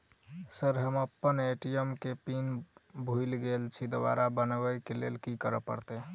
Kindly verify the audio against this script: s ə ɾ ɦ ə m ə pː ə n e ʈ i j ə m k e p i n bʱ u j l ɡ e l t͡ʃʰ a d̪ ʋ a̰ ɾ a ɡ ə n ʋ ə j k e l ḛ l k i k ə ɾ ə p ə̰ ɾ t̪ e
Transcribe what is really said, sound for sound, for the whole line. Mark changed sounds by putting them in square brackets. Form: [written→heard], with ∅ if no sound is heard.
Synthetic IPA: s ə ɾ ɦ ə m ə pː ə n e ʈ i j ə m k e p i n bʱ u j l ɡ e l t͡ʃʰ [a→i] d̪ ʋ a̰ ɾ a [ɡ→b] ə n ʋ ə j k e l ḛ l k i k ə ɾ ə p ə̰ ɾ t̪ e

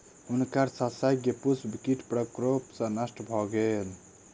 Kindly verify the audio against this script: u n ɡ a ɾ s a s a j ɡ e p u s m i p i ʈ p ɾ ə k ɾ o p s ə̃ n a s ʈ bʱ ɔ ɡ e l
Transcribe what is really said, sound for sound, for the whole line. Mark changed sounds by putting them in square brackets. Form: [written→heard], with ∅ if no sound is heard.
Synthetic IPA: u n [ɡ→k] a ɾ s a s a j ɡ e p u s [m→b] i [p→k] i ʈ p ɾ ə k ɾ o p s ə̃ n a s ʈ bʱ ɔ ɡ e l

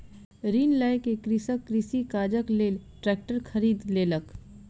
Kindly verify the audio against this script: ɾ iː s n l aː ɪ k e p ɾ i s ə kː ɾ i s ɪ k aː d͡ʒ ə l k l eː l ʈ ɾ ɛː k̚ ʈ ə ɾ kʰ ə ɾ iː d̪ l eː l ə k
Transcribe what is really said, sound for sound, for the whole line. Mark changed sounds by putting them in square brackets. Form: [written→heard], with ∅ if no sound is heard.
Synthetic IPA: ɾ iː [s→∅] n l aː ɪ k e [p→k] ɾ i s ə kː ɾ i s [ɪ→i] k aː d͡ʒ ə [l→∅] k l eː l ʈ ɾ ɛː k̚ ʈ ə ɾ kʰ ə ɾ iː d̪ l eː l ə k

